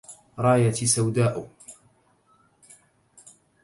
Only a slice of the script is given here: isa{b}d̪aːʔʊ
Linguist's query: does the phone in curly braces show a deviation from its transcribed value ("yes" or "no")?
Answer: yes